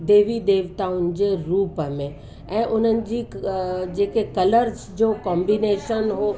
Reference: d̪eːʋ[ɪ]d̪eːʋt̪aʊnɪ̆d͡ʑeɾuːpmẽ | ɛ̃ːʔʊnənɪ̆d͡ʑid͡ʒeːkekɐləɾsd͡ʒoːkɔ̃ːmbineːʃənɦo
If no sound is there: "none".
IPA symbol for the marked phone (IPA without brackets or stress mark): i